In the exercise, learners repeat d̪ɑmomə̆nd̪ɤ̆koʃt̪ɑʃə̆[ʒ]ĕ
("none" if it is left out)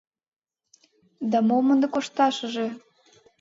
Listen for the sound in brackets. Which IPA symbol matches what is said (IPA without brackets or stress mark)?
ʒ